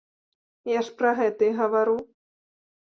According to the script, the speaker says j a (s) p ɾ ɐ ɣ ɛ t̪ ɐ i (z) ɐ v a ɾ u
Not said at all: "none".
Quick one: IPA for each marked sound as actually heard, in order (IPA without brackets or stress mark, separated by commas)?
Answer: ʂ, ɣ